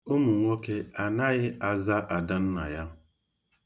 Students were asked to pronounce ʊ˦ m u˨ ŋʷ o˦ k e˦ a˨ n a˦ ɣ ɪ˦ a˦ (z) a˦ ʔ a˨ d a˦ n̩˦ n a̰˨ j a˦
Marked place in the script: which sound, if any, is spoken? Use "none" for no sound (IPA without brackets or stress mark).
z